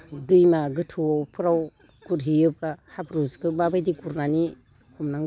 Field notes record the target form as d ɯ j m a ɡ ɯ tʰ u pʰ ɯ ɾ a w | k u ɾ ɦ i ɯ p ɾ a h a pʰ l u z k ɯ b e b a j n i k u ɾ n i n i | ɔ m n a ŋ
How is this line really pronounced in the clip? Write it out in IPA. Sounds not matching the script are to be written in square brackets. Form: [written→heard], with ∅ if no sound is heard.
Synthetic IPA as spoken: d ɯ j m a ɡ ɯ tʰ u pʰ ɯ ɾ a w | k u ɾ ɦ i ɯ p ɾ a h a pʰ [l→ɾ] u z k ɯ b [e→a] b a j [n→d] i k u ɾ n [i→a] n i | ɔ m n a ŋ